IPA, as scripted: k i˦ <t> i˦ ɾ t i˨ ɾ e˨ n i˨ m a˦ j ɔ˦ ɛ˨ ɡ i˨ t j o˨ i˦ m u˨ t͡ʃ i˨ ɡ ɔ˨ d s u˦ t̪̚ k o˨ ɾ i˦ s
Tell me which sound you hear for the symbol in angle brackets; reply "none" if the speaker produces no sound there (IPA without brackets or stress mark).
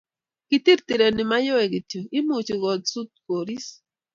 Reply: t